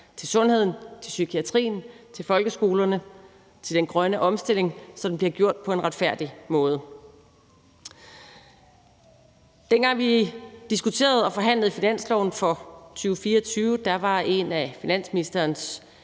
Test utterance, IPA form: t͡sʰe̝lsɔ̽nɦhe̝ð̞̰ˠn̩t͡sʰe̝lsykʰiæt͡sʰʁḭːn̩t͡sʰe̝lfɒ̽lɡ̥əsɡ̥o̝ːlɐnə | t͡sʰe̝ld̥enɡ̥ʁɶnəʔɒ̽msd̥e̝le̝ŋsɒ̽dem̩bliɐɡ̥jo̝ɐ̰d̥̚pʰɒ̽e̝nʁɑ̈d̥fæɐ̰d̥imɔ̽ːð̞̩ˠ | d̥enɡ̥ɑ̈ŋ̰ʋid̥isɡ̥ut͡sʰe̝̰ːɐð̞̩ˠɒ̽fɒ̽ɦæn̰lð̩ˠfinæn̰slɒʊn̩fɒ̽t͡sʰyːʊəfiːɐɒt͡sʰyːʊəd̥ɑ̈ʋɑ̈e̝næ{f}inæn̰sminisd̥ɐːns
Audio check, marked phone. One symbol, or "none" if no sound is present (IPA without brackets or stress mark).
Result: f